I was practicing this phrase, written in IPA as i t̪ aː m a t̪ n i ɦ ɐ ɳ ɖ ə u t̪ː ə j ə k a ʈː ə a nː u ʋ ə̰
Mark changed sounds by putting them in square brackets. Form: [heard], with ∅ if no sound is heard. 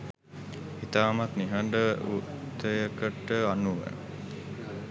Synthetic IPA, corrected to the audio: i t̪ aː m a t̪ n i ɦ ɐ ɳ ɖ ə u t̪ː ə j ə k [ə] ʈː ə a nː u ʋ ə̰